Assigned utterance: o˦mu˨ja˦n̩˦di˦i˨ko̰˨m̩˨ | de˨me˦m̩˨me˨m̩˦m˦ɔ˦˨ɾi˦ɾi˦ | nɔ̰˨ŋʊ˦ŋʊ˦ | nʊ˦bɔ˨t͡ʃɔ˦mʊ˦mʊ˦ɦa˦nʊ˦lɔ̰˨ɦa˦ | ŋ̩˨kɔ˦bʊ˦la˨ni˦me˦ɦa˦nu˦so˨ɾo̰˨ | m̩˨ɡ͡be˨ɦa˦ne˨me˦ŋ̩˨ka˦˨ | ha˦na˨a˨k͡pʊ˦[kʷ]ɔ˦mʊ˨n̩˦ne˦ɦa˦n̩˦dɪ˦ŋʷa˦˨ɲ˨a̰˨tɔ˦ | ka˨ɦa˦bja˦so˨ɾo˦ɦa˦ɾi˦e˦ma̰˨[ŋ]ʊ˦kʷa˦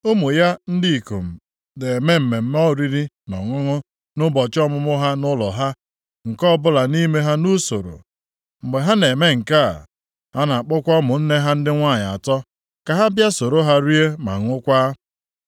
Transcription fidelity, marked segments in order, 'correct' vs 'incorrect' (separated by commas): correct, correct